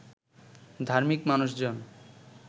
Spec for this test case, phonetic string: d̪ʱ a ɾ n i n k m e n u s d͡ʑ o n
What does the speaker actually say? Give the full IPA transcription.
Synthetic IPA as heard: d̪ʱ a ɾ m i k m a n u ʃ d͡ʑ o n